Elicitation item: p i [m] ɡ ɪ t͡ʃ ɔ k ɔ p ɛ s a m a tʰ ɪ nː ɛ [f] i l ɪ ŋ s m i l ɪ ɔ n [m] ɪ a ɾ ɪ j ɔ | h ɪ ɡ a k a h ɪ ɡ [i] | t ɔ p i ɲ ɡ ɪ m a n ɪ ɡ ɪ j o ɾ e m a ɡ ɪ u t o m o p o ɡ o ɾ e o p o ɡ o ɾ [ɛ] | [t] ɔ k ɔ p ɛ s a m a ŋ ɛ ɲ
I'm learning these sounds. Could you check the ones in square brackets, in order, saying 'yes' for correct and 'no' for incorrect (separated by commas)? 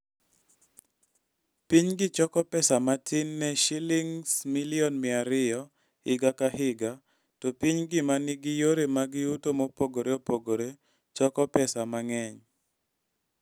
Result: no, no, yes, no, no, no